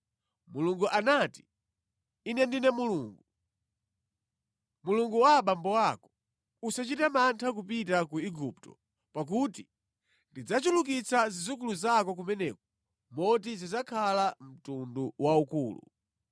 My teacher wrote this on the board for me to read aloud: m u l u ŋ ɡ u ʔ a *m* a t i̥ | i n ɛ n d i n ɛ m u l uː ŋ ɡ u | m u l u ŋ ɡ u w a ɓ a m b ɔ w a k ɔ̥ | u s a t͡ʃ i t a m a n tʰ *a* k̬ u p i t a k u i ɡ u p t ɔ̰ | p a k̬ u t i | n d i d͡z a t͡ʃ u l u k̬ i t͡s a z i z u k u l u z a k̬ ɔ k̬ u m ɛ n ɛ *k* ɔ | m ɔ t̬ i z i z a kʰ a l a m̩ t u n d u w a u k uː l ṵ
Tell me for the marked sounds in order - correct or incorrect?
incorrect: n, correct, correct

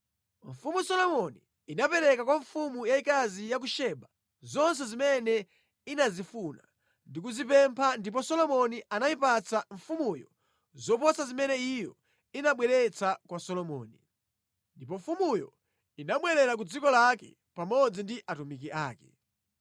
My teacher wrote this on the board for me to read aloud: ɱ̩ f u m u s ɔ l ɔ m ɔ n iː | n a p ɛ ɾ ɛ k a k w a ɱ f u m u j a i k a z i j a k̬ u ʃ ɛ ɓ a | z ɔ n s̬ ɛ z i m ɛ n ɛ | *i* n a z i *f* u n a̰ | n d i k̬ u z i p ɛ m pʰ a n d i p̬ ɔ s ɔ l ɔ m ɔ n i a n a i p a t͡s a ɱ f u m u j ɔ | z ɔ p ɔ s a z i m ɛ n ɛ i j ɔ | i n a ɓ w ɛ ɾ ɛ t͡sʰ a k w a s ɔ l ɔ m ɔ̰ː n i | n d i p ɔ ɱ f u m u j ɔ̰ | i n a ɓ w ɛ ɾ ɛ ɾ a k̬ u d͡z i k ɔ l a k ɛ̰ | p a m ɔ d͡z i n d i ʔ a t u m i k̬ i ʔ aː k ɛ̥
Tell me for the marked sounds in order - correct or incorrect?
correct, correct

